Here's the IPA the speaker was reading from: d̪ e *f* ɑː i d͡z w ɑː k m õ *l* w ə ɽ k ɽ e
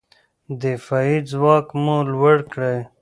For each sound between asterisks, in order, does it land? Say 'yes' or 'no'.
yes, yes

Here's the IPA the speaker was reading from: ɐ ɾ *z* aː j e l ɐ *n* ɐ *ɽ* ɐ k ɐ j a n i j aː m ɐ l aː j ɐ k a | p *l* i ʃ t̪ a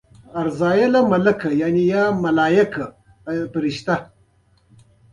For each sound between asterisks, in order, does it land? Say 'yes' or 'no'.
yes, no, no, no

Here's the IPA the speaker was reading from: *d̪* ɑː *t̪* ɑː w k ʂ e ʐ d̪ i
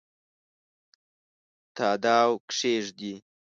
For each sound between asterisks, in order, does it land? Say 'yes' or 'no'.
no, no

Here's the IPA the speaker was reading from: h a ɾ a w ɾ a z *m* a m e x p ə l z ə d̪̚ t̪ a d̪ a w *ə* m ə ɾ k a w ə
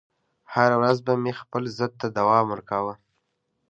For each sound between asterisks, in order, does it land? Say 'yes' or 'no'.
no, no

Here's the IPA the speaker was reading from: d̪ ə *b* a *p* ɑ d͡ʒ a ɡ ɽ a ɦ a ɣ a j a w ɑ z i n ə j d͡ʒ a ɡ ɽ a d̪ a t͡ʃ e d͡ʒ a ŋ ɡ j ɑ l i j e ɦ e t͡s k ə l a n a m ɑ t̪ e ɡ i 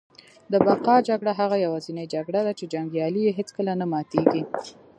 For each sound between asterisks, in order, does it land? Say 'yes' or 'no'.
yes, no

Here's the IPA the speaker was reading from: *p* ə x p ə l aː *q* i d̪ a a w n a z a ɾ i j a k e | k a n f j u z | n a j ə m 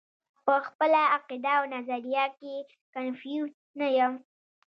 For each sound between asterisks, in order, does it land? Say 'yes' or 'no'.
yes, yes

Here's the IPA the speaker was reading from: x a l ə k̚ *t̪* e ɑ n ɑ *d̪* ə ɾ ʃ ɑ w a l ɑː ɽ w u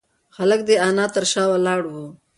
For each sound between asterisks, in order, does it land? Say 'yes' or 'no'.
no, no

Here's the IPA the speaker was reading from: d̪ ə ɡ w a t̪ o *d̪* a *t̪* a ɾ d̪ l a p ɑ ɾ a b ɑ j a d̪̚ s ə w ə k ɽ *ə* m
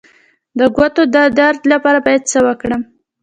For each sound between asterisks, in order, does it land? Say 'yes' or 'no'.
yes, no, yes

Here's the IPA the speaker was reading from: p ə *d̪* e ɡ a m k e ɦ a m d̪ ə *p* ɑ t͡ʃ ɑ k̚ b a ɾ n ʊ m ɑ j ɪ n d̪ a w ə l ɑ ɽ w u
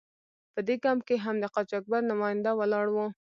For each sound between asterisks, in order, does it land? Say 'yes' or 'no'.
yes, no

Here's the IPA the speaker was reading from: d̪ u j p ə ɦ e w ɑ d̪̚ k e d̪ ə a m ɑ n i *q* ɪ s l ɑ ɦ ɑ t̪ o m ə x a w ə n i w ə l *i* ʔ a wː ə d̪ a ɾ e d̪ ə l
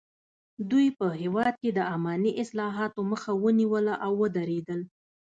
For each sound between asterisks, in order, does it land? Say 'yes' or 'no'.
no, no

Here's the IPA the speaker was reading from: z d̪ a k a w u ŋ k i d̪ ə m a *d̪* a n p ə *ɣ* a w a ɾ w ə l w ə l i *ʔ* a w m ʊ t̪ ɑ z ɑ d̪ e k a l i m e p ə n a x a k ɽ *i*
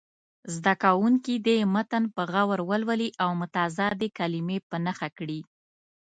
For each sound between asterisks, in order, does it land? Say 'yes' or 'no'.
no, yes, yes, yes

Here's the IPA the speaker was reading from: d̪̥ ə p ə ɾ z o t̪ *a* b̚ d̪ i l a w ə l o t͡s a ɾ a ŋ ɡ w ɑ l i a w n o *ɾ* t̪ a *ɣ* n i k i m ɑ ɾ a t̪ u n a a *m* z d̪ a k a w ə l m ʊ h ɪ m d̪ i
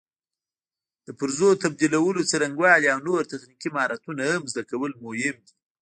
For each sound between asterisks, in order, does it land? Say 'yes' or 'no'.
yes, yes, no, yes

